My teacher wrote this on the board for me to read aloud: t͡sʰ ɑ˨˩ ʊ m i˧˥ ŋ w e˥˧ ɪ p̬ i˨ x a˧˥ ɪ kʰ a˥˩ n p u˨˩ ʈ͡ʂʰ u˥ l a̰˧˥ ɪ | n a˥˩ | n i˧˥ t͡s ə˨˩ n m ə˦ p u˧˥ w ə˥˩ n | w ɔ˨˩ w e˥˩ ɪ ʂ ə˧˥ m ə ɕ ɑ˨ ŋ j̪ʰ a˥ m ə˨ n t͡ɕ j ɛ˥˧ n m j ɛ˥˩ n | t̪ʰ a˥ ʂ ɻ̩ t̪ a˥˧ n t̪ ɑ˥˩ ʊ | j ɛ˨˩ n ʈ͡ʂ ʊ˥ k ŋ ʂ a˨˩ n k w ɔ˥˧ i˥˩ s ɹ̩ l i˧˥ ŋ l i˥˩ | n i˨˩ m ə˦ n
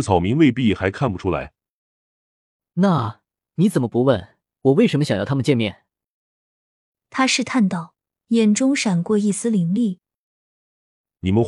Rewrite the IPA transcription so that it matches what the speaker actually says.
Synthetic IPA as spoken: t͡sʰ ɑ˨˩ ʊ m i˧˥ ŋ w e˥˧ ɪ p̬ i˥˩ x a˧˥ ɪ kʰ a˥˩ n p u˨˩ ʈ͡ʂʰ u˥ l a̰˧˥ ɪ | n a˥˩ | n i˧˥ t͡s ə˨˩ n m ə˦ p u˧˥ w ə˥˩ n | w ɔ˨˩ w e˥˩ ɪ ʂ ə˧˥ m ə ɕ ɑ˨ ŋ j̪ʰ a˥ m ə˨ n t͡ɕ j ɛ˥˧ n m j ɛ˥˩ n | t̪ʰ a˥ ʂ ɻ̩ t̪ʰ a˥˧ n t̪ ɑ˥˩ ʊ | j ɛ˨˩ n ʈ͡ʂ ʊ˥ ŋ ʂ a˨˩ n k w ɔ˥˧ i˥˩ s ɹ̩ l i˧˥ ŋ l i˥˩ | n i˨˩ m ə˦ n